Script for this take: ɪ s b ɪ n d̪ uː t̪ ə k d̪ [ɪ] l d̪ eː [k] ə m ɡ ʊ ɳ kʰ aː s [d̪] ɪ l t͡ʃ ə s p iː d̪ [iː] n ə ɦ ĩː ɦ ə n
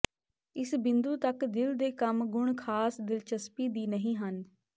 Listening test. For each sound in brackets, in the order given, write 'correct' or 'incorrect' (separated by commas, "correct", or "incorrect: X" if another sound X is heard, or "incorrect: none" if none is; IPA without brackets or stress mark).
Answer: correct, correct, correct, correct